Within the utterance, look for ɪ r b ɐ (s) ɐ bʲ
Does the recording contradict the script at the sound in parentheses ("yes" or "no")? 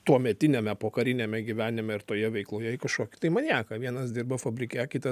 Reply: yes